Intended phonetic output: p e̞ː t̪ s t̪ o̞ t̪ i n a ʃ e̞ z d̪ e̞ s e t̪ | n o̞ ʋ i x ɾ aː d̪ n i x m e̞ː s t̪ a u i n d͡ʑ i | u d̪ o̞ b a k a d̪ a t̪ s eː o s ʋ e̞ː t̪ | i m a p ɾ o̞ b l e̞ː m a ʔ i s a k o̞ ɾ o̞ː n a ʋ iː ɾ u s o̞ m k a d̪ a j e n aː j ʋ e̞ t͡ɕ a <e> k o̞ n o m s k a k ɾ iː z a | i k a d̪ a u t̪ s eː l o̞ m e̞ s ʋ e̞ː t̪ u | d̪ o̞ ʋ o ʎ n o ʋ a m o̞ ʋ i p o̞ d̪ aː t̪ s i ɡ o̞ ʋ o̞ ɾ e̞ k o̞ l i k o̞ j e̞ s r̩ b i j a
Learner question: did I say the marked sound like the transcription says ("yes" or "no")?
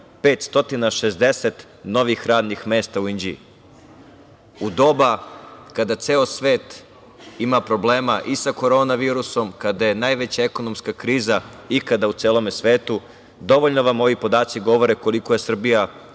yes